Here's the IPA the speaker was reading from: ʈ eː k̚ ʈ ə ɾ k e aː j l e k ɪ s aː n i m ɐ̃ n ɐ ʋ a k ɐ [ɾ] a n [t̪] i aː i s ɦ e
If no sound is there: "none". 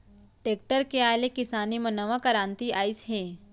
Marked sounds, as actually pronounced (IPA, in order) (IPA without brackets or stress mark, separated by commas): ɾ, t̪